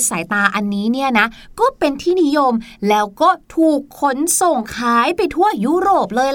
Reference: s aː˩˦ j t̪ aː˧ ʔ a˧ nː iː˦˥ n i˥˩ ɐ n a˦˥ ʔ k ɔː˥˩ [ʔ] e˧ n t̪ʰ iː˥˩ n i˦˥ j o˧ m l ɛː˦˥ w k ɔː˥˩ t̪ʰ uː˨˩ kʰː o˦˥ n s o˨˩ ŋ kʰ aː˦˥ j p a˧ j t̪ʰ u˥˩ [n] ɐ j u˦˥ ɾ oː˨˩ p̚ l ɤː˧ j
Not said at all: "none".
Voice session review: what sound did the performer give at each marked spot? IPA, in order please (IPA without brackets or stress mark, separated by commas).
p, none